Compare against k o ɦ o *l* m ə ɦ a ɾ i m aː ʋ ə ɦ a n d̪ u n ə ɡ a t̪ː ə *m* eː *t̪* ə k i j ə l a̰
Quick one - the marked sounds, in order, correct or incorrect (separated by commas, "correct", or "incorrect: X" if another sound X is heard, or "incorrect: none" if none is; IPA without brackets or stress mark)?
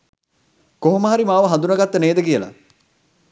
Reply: incorrect: none, incorrect: n, incorrect: d̪